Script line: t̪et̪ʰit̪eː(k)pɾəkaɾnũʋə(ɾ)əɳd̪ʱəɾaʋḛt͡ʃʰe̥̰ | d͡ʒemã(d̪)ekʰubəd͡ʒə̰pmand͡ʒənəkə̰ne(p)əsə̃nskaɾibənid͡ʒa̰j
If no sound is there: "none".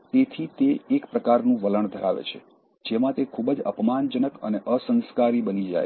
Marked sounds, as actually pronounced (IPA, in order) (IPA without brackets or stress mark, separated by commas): k, l, t̪, ʔ